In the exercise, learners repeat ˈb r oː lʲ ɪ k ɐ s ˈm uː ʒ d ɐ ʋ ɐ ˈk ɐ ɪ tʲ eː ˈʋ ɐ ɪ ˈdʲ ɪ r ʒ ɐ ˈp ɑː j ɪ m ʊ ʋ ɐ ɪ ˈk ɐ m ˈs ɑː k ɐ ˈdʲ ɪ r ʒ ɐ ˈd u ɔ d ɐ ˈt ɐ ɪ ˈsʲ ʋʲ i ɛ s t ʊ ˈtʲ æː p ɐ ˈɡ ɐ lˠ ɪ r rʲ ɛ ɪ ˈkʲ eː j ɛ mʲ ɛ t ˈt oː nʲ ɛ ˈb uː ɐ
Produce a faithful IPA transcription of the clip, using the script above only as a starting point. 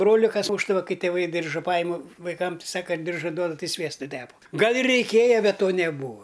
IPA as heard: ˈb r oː lʲ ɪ k ɐ s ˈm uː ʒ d ɐ ʋ ɐ ˈk ɐ ɪ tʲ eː ˈʋ ɐ ɪ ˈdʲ ɪ r ʒ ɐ ˈp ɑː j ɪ m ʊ ʋ ɐ ɪ ˈk ɐ m ˈs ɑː k ɐ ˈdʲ ɪ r ʒ ɐ ˈd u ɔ d ɐ ˈt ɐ ɪ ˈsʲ ʋʲ i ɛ s t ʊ ˈtʲ æː p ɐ ˈɡ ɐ lˠ ɪ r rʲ ɛ ɪ ˈkʲ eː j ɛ bʲ ɛ t ˈt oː nʲ ɛ ˈb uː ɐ